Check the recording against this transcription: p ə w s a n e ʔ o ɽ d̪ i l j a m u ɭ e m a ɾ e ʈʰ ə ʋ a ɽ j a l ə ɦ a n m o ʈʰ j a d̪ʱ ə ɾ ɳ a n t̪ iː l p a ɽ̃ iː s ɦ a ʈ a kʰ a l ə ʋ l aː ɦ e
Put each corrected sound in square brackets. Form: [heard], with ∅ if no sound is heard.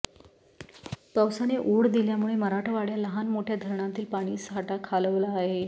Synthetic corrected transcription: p ə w s a n e ʔ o ɽ d̪ i l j a m u ɭ e m [ə] ɾ [a] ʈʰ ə ʋ a ɽ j a l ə ɦ a n m o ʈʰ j a d̪ʱ ə ɾ ɳ a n t̪ iː l p a ɽ̃ iː s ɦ a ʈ a kʰ a l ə ʋ l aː ɦ e